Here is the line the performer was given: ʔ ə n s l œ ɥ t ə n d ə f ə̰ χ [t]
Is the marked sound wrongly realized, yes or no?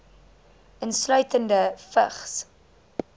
yes